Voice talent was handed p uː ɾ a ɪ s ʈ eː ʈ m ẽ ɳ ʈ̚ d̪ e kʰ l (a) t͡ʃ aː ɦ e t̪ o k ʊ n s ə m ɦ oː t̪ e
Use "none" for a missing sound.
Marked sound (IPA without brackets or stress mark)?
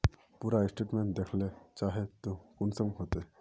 e